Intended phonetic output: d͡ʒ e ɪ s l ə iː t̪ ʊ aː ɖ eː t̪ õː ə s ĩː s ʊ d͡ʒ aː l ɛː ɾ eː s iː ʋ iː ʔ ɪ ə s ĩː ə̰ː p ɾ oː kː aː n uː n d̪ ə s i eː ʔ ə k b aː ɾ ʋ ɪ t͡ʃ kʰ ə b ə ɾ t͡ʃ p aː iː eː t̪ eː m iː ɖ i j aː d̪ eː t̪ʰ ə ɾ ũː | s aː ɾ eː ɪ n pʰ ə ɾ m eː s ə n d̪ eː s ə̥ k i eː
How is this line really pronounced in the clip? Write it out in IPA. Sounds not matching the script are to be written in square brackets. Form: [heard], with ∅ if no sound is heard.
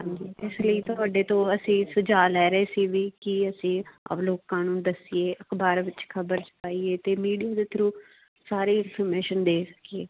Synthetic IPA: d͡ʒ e ɪ s l ə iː t̪ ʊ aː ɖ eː t̪ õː ə s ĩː s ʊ d͡ʒ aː l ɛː ɾ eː s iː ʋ iː [k] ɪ ə s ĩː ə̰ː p [l] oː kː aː n uː n d̪ ə s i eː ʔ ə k b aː ɾ ʋ ɪ t͡ʃ kʰ ə b ə ɾ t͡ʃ p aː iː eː t̪ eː m iː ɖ i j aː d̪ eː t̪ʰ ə ɾ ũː | s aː ɾ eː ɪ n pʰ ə ɾ m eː [ʃ] ə n d̪ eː s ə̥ k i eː